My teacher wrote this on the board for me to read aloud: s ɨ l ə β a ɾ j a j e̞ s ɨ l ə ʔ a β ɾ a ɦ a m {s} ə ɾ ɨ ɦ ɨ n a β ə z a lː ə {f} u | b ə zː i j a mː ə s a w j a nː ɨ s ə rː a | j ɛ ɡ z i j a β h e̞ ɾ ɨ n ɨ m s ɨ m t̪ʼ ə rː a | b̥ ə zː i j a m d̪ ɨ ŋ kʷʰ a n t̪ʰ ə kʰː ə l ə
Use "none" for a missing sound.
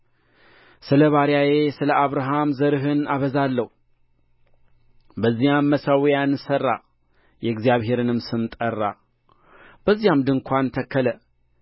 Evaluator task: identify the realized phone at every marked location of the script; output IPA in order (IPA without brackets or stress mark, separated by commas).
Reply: z, h